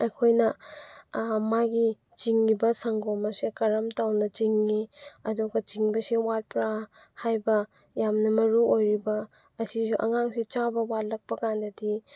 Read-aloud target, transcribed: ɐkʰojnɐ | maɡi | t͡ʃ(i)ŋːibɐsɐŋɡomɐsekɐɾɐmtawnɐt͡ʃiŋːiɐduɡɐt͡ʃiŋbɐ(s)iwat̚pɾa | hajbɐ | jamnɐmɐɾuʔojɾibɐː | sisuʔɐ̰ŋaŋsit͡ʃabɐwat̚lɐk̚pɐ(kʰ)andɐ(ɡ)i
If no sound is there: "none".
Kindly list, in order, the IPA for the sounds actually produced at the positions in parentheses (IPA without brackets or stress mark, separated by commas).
i, s, k, d